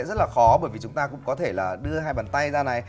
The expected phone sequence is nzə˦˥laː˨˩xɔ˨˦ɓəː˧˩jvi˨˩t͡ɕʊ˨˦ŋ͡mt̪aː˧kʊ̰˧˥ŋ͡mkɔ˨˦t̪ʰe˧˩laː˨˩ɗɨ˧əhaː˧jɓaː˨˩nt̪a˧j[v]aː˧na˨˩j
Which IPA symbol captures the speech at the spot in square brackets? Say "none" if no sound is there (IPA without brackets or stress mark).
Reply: z